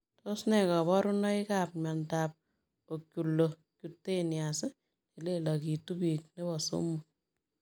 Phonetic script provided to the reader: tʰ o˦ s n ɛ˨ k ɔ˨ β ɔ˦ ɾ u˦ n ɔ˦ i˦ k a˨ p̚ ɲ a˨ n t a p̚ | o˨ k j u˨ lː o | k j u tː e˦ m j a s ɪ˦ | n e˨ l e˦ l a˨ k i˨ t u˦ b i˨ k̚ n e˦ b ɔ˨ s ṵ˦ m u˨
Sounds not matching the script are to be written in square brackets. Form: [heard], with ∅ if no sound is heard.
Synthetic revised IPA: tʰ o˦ s n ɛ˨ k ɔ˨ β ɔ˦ ɾ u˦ n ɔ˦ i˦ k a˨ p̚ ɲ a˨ n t a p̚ | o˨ k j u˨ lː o | k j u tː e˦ [n] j a s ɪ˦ | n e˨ l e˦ l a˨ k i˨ t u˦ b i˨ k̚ n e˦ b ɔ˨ s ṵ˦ m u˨